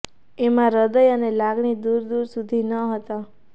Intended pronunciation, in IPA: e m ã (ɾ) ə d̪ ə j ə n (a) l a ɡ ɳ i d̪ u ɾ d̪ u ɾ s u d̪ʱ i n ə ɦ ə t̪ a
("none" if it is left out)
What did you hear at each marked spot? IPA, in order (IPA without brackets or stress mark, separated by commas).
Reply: ɾ, e